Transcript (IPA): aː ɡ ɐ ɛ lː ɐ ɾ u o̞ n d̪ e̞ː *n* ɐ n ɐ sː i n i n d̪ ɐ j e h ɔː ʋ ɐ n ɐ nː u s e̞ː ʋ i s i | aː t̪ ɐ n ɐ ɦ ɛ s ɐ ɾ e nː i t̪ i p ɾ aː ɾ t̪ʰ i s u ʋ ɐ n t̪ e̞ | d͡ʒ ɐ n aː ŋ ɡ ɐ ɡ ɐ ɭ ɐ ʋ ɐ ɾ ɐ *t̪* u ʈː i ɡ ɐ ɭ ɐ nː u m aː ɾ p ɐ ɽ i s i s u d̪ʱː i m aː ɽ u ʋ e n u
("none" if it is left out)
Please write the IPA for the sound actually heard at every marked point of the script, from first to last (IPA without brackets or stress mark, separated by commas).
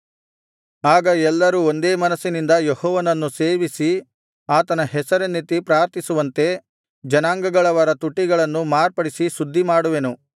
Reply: m, t̪